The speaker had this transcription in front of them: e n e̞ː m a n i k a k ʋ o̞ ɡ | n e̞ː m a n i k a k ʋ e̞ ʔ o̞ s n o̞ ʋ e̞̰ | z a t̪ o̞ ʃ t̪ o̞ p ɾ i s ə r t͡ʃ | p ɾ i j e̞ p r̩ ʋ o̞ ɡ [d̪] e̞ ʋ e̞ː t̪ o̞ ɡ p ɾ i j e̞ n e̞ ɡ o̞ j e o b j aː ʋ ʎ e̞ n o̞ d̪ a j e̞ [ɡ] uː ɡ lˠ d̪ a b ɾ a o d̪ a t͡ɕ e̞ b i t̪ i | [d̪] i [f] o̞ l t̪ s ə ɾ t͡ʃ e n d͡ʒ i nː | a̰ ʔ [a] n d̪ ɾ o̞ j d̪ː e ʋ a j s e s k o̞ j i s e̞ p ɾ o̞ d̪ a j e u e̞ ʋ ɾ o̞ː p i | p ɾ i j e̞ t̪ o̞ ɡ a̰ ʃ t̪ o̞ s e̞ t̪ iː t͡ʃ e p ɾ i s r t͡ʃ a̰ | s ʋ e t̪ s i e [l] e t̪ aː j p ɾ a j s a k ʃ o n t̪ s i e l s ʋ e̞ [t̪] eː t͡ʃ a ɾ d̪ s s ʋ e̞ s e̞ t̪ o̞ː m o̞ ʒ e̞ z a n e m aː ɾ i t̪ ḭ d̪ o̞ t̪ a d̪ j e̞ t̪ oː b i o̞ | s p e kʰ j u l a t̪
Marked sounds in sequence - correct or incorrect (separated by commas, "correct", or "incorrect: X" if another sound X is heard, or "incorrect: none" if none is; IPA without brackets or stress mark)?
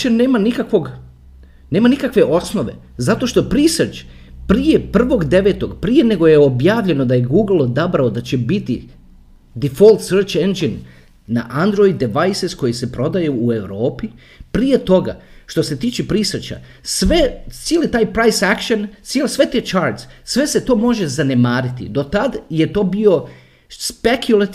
correct, correct, correct, correct, correct, correct, correct